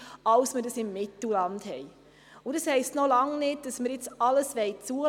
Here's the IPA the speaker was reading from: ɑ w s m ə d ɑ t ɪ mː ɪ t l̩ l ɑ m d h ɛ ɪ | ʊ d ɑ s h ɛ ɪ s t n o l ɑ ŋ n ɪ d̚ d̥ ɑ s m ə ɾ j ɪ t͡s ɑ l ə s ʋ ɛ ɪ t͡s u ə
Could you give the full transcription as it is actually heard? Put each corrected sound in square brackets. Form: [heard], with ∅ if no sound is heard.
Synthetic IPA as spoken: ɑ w s m ə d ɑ [s] ɪ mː ɪ t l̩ l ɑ [n] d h ɛ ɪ | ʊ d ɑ s h ɛ ɪ s t n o l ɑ ŋ n ɪ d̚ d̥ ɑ s m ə ɾ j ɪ t͡s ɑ l ə s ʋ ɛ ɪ t͡s u ə